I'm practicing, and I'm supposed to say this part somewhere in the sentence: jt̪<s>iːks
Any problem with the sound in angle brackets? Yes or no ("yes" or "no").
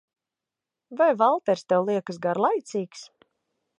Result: no